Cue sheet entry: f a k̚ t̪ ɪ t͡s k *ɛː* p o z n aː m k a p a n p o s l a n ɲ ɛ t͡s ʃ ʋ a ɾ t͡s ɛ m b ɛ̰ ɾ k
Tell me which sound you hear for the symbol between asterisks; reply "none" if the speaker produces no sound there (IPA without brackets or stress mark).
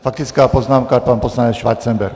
aː